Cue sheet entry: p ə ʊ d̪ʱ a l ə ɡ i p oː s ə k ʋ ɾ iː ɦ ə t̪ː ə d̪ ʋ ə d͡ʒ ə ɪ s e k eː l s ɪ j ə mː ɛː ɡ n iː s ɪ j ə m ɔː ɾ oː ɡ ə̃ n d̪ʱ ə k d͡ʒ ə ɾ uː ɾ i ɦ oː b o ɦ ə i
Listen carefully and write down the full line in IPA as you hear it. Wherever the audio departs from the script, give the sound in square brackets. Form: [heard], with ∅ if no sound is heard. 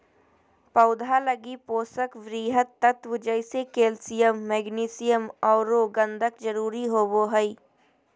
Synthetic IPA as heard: p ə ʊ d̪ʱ a l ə ɡ i p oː s ə k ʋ ɾ iː ɦ ə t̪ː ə [t̪] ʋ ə d͡ʒ ə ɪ s e k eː l s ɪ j ə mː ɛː ɡ n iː s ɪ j ə m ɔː ɾ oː ɡ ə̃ n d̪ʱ ə k d͡ʒ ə ɾ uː ɾ i ɦ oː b o ɦ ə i